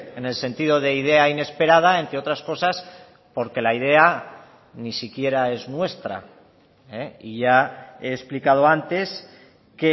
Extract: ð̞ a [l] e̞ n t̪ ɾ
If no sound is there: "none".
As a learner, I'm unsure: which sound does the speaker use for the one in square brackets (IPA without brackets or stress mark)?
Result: none